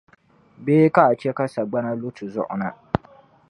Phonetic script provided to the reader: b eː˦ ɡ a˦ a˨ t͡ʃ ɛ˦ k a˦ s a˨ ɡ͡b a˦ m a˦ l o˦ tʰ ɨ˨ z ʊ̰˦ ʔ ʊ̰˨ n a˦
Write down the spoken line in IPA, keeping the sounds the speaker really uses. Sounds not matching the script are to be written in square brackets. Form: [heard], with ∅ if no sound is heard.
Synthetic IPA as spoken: b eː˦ [k] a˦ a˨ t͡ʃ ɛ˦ k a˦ s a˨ ɡ͡b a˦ [n] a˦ l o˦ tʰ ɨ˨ z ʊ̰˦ ʔ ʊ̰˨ n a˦